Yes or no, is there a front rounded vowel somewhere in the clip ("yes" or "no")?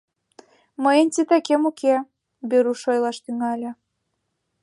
yes